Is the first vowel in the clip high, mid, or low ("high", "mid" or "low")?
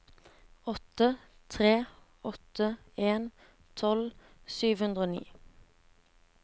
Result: mid